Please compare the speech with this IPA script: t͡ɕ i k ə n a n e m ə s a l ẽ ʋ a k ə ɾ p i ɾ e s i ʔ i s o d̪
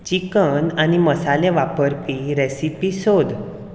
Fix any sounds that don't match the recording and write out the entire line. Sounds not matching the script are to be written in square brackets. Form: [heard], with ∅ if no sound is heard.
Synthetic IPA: t͡ɕ i k ə n a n [i] m ə s a l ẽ ʋ a [p] ə ɾ p i ɾ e s i [p] i s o d̪